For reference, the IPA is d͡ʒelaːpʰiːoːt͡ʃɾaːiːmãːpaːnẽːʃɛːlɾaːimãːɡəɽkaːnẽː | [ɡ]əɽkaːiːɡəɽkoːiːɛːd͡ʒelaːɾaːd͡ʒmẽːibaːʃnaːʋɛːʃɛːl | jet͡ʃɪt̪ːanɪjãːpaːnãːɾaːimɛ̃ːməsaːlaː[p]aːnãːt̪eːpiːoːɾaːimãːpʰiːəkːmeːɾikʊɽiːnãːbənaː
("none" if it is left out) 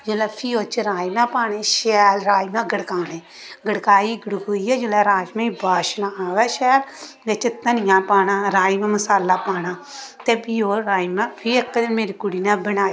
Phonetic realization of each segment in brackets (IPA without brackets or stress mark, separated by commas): ɡ, p